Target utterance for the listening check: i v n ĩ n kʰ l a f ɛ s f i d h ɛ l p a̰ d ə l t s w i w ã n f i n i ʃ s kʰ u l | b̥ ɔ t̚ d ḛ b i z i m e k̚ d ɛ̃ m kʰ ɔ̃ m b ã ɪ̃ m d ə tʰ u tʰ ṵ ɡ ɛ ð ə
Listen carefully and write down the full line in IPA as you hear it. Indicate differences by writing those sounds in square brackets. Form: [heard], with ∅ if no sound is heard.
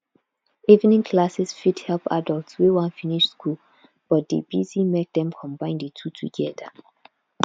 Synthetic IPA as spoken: i v n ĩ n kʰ l a [s] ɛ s f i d h ɛ l p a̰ d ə l t s w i w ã n f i n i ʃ s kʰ u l | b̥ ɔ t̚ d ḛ b i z i m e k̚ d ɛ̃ m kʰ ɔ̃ m b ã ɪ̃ [n] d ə tʰ u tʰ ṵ ɡ ɛ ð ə